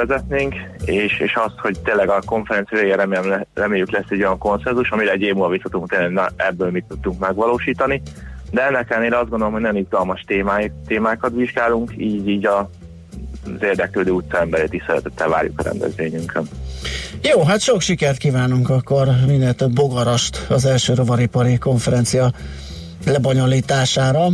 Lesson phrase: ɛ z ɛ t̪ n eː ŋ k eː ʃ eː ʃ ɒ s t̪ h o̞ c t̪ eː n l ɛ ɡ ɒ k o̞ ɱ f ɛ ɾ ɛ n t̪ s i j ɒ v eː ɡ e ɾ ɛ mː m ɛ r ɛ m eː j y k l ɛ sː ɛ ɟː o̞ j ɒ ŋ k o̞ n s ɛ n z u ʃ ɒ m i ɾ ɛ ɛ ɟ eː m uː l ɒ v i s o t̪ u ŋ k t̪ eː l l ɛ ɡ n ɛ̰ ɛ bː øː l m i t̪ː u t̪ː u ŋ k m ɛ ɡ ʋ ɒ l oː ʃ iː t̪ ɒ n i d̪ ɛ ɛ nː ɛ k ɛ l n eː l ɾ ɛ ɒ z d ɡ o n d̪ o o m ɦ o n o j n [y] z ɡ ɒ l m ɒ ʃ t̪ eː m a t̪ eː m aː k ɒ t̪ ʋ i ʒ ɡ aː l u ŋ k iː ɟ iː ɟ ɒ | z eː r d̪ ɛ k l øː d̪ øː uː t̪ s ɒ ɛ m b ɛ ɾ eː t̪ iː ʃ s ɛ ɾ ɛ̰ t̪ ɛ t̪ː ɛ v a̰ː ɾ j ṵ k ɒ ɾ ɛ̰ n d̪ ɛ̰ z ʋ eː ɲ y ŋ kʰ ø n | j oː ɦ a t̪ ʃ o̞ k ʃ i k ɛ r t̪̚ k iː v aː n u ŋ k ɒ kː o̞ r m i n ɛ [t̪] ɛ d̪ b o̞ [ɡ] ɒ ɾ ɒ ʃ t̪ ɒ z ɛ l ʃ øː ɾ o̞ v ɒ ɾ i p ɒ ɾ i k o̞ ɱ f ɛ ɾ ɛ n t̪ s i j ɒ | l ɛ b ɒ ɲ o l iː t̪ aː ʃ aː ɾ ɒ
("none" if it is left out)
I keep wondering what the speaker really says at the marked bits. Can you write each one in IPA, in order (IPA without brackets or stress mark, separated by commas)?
i, t̪, ɡ